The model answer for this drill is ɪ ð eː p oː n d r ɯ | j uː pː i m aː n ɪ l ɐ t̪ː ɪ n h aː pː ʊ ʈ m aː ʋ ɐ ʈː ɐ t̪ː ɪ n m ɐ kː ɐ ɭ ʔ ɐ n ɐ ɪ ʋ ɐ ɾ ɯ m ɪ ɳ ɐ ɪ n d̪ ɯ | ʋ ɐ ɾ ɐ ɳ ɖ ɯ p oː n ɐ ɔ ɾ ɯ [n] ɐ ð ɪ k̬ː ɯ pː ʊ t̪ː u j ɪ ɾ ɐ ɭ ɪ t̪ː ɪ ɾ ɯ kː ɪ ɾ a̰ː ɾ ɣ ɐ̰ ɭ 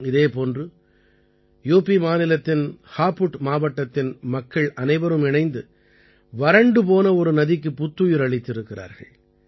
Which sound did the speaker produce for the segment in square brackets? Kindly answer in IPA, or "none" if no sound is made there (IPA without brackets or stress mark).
n